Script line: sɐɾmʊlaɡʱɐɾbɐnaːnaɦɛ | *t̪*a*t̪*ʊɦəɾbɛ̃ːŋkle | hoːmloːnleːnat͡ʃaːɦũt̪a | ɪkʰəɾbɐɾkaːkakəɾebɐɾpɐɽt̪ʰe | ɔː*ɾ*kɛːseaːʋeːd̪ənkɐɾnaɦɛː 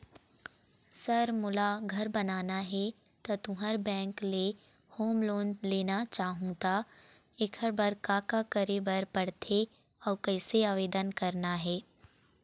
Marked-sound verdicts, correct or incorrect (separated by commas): correct, correct, correct